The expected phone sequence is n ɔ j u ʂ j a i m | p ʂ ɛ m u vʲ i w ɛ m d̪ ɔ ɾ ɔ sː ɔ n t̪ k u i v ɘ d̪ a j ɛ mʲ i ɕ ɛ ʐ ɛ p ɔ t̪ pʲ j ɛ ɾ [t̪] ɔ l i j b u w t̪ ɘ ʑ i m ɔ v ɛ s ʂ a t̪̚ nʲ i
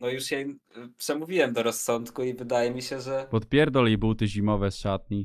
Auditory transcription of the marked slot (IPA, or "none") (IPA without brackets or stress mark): d̪